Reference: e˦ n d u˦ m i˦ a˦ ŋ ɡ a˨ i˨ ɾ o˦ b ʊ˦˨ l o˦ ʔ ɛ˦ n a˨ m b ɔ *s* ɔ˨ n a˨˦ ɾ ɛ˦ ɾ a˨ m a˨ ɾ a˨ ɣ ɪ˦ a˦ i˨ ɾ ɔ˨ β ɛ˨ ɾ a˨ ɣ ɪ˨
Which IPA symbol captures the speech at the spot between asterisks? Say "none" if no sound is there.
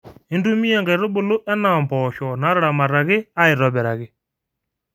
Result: ʃ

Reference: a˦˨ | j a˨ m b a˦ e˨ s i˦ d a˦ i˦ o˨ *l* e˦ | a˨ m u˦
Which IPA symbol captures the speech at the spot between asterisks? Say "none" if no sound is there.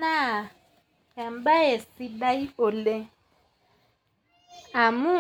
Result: l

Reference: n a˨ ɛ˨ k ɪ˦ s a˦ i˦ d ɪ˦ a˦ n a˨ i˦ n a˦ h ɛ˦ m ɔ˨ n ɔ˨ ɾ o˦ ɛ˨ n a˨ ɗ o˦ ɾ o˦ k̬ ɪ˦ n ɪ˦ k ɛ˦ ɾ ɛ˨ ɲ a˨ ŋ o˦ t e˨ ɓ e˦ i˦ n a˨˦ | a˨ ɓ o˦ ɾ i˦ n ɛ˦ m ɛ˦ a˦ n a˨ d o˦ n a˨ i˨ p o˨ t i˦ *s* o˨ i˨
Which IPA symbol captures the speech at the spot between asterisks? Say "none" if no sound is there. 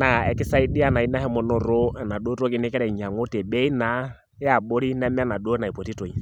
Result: t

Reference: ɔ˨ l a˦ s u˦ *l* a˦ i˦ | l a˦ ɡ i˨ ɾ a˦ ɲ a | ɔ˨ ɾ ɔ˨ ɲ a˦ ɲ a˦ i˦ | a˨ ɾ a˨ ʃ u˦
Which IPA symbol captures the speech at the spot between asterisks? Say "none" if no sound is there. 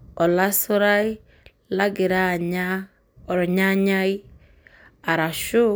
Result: ɾ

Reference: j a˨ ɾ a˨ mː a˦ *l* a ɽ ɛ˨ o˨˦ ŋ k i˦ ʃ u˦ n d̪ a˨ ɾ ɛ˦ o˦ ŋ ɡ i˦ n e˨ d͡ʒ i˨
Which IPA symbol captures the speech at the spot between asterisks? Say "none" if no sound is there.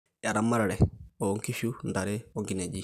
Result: ɾ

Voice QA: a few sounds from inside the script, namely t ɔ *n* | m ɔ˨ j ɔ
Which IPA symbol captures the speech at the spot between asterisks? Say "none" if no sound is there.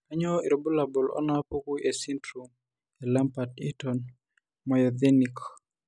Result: n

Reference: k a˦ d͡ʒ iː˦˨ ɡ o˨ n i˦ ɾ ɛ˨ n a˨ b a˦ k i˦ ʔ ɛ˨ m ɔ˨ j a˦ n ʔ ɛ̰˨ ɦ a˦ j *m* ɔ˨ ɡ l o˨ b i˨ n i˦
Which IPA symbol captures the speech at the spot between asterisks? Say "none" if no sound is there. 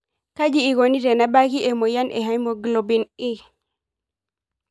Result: m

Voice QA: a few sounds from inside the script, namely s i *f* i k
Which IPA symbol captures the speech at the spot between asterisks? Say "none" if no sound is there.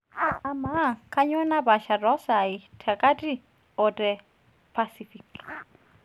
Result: f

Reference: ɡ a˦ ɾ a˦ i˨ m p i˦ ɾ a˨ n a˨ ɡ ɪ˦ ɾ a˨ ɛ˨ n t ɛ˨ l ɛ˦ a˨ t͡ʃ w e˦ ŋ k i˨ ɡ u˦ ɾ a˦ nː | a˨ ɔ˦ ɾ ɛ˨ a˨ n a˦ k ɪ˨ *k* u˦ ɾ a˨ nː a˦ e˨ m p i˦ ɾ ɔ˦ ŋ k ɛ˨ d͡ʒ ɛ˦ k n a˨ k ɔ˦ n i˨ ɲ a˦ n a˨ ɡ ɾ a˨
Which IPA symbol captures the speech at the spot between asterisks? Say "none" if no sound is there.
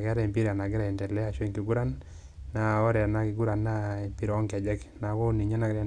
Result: ɡ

